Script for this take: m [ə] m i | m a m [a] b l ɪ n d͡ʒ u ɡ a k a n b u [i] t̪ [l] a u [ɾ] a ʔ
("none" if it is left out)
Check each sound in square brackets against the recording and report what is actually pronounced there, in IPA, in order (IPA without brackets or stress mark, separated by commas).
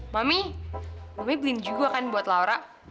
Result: a, i, a, l, ɾ